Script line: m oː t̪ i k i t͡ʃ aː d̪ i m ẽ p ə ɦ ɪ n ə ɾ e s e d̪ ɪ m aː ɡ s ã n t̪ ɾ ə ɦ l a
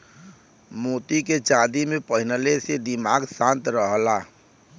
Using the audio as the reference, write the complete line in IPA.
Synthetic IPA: m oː t̪ i k e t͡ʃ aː d̪ i m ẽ p ə ɦ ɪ n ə l e s e d̪ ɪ m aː ɡ s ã n t̪ ɾ ə ɦ l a

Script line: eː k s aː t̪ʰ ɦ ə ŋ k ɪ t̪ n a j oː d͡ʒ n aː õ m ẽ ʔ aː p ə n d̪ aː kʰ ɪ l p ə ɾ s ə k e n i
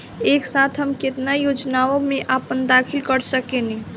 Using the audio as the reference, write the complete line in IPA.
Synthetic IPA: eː k s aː t̪ʰ ɦ ə m k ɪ t̪ n a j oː d͡ʒ n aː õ m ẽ ʔ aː p ə n d̪ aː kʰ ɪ l k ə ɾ s ə k e n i

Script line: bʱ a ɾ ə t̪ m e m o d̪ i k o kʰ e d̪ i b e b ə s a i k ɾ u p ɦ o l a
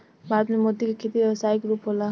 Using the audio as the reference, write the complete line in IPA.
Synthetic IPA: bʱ a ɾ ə t̪ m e m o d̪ i k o kʰ e t̪ i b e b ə s a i k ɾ u p ɦ o l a

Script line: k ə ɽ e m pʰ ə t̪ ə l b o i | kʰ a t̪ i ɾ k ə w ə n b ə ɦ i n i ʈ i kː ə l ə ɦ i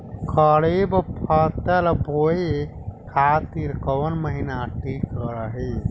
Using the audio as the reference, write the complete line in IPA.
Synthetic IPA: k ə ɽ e b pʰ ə t̪ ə l b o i | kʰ a t̪ i ɾ k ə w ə n m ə ɦ i n a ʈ i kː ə ɾ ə ɦ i

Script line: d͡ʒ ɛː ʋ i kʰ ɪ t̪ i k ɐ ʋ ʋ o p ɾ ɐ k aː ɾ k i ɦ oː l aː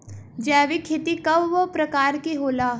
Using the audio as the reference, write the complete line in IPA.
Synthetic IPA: d͡ʒ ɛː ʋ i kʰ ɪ t̪ i k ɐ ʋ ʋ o p ɾ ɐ k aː ɾ k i ɦ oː l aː

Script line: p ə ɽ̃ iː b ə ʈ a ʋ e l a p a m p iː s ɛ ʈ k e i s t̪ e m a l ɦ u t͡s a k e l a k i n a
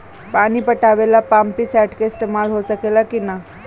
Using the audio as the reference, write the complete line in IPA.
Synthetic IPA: p a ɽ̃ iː p ə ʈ a ʋ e l a p a m p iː s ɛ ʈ k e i s t̪ e m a l ɦ o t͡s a k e l a k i n a

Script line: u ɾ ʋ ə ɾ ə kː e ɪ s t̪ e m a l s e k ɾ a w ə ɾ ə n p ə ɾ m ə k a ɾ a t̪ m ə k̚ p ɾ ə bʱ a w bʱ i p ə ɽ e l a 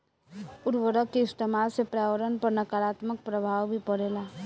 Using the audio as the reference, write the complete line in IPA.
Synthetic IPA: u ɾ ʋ ə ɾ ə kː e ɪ s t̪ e m a l s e p ɾ a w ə ɾ ə n p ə ɾ n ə k a ɾ a t̪ m ə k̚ p ɾ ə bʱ a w bʱ i p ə ɽ e l a

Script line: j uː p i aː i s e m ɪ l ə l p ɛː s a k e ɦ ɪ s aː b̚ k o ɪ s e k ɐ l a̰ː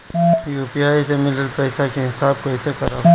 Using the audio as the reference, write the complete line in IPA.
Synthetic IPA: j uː p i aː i s e m ɪ l ə l p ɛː s a k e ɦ ɪ s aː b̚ k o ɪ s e k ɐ ɾ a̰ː

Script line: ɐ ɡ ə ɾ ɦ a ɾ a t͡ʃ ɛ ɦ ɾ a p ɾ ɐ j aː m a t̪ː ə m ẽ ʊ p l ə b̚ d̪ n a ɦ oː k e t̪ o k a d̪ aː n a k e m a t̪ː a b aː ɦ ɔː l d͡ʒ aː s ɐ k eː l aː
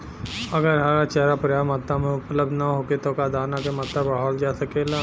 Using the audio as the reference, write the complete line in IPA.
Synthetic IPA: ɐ ɡ ə ɾ ɦ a ɾ a t͡ʃ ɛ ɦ ɾ a p ɾ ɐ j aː m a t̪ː a m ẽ ʊ p l ə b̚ d̪ n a ɦ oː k e t̪ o k a d̪ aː n a k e m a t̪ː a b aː ɦ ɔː l d͡ʒ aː s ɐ k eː l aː

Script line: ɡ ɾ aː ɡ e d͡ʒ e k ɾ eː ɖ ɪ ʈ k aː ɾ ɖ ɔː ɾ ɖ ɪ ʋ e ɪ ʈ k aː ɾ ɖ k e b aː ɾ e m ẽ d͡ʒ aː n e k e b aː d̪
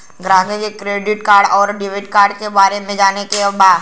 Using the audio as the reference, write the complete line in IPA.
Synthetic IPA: ɡ ɾ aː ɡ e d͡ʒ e k ɾ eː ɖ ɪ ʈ k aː ɾ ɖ ɔː ɾ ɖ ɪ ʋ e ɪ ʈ k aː ɾ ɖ k e b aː ɾ e m ẽ d͡ʒ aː n e k e b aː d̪

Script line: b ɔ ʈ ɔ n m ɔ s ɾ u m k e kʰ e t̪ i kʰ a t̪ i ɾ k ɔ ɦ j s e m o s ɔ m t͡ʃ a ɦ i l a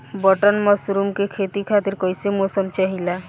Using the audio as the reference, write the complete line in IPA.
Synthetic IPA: b ɔ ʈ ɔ n m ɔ s ɾ u m k e kʰ e t̪ i kʰ a t̪ i ɾ k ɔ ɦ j s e m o s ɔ m t͡ʃ a ɦ i l a

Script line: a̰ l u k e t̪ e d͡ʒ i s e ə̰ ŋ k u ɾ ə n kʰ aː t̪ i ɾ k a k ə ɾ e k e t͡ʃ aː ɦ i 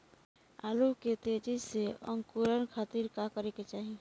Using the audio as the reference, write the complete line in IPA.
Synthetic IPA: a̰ l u k e t̪ e d͡ʒ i s e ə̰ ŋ k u ɾ ə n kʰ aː t̪ i ɾ k a k ə ɾ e k e t͡ʃ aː ɦ i

